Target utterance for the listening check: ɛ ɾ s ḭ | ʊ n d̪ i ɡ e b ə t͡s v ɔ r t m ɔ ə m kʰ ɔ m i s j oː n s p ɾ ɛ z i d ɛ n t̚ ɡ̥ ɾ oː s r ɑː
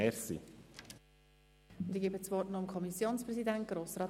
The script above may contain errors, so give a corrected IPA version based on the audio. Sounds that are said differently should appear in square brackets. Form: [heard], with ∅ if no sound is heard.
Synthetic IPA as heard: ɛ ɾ s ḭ | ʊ n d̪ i ɡ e b ə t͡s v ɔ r t [n] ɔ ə m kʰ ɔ m i s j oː n s p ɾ ɛ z i d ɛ n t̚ ɡ̥ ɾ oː s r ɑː